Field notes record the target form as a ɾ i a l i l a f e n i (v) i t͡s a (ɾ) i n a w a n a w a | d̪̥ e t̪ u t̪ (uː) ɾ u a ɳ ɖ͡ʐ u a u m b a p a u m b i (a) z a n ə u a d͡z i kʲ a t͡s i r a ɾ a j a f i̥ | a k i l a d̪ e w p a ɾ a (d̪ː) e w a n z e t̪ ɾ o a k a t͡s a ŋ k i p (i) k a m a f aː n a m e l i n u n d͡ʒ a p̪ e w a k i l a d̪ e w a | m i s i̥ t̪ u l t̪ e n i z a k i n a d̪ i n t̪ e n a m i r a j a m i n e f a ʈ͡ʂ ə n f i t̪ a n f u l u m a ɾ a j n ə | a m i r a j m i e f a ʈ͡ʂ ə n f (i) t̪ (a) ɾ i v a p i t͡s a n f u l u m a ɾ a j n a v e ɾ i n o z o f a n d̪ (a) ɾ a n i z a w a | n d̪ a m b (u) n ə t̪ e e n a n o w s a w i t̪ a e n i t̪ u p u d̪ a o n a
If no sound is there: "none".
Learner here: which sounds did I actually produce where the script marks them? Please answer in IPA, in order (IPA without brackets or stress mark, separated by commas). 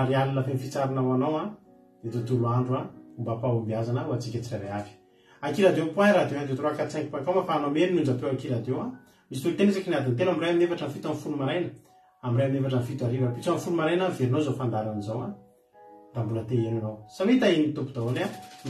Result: f, ɾ, u, a, d̪, a, i, a, a, u